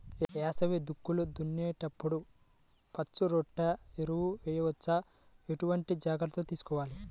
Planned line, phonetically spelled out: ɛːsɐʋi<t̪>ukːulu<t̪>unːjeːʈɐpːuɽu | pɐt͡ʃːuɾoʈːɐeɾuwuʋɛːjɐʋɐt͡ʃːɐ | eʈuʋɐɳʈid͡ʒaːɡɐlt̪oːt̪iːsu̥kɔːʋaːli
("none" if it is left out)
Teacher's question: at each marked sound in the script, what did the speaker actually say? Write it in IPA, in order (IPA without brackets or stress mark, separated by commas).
d̪, d̪